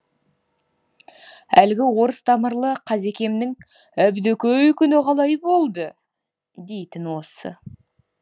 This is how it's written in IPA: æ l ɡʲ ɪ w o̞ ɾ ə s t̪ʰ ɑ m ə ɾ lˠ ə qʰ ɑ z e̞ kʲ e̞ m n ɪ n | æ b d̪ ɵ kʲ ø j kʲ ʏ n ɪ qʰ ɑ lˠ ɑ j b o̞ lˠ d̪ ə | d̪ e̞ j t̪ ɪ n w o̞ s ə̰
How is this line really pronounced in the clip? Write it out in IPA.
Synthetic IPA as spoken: æ l ɡʲ ɪ w o̞ ɾ ə s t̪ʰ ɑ m ə ɾ lˠ ə qʰ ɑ z e̞ kʲ e̞ m n ɪ ŋ | æ b d̪ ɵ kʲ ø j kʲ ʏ n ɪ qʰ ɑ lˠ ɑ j b o̞ lˠ d̪ ə | d̪ e̞ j t̪ ɪ n w o̞ s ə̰